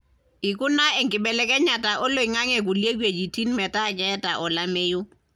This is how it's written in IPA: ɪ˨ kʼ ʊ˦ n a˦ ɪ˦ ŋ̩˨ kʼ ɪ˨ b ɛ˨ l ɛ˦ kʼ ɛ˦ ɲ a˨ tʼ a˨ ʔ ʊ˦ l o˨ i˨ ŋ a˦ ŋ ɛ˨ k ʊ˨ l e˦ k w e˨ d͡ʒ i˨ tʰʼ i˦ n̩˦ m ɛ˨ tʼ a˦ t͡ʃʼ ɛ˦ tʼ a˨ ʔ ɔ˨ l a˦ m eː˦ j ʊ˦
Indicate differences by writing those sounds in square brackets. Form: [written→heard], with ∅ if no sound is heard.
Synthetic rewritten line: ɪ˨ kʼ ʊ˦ n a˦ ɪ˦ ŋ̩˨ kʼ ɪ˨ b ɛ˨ l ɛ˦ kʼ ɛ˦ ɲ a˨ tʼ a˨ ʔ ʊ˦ l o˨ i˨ ŋ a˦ ŋ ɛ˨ k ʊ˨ l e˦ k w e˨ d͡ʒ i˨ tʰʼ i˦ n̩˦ m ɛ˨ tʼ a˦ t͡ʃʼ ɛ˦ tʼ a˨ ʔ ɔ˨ l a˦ m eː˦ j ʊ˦